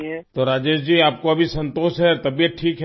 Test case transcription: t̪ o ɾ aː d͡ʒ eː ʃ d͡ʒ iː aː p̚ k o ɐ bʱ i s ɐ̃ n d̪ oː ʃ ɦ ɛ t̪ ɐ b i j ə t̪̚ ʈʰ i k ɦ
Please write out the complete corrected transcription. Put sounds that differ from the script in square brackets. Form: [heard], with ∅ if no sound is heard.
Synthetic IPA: t̪ o ɾ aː d͡ʒ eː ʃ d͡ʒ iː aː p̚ k o ɐ bʱ i s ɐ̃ n [t̪] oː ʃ ɦ ɛ t̪ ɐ b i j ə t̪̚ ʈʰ [iː] k ɦ